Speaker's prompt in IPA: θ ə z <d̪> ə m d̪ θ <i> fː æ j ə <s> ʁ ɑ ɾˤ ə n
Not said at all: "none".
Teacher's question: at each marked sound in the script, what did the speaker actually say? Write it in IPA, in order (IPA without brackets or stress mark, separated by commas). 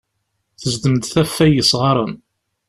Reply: d̪, æ, s